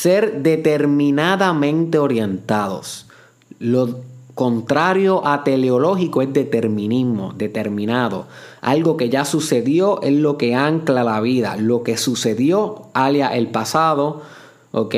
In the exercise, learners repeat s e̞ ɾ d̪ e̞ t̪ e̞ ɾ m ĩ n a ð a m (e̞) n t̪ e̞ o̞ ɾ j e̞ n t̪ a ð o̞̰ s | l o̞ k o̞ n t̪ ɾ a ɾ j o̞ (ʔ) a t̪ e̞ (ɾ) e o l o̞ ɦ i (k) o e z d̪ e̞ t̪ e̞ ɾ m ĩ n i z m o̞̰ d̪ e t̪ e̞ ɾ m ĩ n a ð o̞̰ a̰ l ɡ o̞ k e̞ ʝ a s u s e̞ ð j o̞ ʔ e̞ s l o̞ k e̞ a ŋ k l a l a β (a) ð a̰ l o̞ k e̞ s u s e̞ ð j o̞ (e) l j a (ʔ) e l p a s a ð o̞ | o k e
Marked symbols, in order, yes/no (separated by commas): no, yes, no, yes, no, no, yes